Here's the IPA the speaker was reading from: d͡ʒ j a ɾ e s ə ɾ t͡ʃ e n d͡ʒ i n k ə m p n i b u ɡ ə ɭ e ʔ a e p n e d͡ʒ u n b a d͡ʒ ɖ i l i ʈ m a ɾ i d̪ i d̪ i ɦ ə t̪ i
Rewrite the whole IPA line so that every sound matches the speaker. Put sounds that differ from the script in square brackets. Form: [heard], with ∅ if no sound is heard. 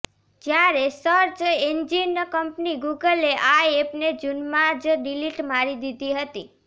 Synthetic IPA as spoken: d͡ʒ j a ɾ e s ə ɾ t͡ʃ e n d͡ʒ i n k ə m p n i [ɡ] u ɡ ə [l] e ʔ a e p n e d͡ʒ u n [m] a d͡ʒ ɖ i l i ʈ m a ɾ i d̪ i d̪ i ɦ ə t̪ i